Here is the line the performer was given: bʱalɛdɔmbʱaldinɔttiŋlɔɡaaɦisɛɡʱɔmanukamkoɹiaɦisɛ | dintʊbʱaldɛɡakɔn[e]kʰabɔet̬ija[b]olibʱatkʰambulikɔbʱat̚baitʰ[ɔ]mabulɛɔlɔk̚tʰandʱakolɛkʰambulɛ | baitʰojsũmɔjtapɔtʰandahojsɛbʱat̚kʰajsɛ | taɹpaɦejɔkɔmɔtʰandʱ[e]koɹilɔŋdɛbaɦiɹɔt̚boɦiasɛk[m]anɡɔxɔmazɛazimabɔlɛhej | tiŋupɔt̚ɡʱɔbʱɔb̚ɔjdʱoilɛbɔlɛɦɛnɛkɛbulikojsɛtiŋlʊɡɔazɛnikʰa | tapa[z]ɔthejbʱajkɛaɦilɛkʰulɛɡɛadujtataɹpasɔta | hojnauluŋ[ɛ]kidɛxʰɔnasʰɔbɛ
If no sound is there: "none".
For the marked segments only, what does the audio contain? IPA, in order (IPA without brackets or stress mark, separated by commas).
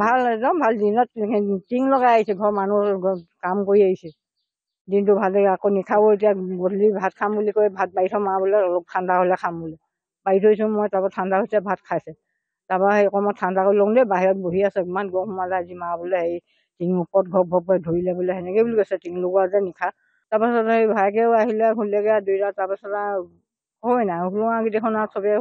i, ɡ, ɔ, a, m, s, a